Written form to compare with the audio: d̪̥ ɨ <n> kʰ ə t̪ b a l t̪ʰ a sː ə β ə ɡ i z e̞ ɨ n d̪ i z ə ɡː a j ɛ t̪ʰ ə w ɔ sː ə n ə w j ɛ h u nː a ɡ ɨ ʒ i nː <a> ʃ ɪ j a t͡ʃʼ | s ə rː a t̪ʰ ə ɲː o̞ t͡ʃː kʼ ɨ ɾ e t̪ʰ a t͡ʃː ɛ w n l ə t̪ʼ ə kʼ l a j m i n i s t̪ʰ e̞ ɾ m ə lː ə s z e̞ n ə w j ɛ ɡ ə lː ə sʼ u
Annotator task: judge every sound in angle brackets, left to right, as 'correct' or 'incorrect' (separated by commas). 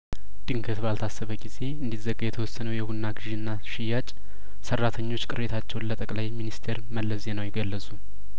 incorrect, correct